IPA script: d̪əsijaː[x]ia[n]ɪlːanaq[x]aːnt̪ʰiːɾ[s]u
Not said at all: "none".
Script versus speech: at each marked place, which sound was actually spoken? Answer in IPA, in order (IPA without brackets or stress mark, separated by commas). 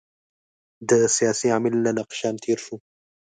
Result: s, m, ʃ, ʃ